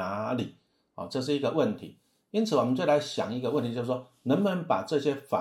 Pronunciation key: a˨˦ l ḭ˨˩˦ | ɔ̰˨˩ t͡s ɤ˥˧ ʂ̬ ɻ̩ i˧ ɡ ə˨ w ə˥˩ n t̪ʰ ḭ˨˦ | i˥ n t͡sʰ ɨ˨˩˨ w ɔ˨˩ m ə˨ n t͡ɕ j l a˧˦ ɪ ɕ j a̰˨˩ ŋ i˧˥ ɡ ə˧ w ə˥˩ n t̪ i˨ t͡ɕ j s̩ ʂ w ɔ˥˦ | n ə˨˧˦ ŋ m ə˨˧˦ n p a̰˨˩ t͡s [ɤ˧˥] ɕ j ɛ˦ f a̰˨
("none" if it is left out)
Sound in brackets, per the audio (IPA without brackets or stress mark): ɤ˥˧